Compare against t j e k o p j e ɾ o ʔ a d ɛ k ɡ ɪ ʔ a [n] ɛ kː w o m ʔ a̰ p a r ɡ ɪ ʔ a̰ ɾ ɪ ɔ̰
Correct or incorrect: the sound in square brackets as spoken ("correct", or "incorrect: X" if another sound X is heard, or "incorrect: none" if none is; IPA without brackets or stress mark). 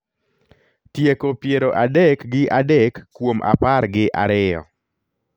incorrect: d